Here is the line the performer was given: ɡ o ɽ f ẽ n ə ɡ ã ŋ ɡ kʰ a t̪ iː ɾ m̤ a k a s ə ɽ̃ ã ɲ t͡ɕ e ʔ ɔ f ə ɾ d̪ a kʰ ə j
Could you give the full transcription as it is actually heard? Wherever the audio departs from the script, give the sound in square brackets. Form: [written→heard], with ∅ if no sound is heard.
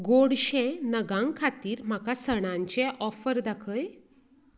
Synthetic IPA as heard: ɡ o ɽ [f→ɕ] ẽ n ə ɡ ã ŋ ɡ kʰ a t̪ iː ɾ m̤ a k a s ə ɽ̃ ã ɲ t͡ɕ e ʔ ɔ f ə ɾ d̪ a kʰ ə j